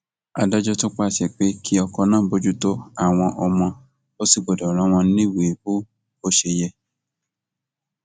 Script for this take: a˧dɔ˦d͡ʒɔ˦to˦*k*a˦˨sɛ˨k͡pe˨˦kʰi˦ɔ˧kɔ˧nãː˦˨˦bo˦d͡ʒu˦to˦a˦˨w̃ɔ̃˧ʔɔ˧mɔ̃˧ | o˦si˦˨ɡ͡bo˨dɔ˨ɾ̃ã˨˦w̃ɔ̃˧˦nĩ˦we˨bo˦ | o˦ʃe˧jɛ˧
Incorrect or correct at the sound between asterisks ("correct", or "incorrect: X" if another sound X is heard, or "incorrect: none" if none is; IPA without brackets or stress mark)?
incorrect: k͡p